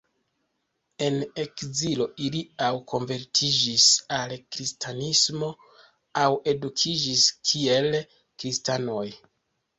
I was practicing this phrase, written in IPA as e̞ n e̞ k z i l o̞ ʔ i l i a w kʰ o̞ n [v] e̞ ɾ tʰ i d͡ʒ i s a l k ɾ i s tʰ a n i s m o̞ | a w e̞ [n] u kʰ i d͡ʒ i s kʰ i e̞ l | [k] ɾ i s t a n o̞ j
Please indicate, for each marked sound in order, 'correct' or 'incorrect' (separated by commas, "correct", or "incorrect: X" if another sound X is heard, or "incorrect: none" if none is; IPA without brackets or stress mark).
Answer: correct, incorrect: d, correct